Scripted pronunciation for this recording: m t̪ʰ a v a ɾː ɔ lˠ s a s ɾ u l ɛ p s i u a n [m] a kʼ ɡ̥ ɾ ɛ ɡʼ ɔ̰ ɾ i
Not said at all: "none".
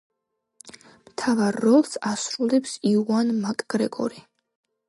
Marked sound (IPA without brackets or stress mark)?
m